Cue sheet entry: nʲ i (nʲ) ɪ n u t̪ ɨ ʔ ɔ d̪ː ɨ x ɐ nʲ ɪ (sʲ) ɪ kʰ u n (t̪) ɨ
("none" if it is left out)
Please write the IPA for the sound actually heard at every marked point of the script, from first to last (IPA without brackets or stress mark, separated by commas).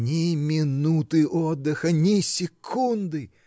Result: mʲ, sʲ, d̪